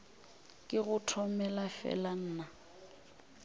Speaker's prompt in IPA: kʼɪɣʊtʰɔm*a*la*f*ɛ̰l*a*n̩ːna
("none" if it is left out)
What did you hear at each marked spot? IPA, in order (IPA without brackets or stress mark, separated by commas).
ɛ, f, a